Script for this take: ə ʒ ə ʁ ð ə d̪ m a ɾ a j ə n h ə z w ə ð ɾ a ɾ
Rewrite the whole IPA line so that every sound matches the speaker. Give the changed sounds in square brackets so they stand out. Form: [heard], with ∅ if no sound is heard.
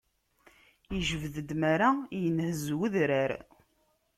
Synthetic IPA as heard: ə ʒ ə [v] ð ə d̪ m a ɾ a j ə n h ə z w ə ð ɾ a ɾ